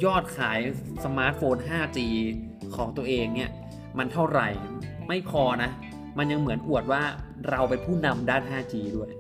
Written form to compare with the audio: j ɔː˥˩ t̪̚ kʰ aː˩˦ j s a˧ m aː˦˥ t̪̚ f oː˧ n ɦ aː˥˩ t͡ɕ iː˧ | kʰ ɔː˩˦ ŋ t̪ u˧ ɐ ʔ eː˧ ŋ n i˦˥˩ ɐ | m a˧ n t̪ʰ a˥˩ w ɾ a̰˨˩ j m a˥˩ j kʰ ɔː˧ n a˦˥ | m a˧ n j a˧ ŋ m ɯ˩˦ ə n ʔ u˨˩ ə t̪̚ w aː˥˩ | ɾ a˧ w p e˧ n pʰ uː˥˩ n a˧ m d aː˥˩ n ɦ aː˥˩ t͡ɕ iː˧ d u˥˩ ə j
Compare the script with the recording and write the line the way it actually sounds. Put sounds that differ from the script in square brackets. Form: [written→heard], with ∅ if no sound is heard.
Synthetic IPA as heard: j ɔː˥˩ t̪̚ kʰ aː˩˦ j s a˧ m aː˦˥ t̪̚ f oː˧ n ɦ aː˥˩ t͡ɕ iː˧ | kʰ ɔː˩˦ ŋ t̪ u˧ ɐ ʔ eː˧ ŋ n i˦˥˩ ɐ | m a˧ n t̪ʰ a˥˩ w ɾ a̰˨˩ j m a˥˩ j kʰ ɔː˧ n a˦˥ | m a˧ n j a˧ ŋ m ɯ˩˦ ə n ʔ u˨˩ ə t̪̚ w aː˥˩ | ɾ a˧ w p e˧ n pʰ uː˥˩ n a˧ m d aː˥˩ n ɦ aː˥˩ t͡ɕ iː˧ d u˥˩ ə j